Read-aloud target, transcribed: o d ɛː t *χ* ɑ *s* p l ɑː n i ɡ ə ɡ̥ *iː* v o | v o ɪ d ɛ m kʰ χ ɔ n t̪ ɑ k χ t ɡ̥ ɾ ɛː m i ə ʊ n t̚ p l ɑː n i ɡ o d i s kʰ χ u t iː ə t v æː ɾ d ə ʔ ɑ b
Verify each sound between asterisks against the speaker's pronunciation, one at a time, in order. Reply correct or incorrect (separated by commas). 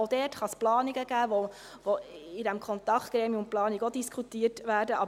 correct, correct, incorrect